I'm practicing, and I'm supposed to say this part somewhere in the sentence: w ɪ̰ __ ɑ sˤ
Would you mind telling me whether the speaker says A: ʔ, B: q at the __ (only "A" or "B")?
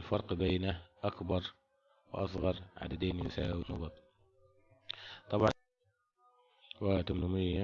A